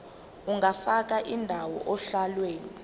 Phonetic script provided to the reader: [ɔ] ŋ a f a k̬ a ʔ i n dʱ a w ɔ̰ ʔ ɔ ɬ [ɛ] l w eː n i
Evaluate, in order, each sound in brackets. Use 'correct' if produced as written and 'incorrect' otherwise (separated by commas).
incorrect, incorrect